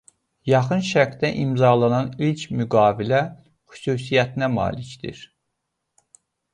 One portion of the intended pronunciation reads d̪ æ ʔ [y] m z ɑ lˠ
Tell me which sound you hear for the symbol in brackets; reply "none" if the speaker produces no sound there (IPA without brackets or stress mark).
i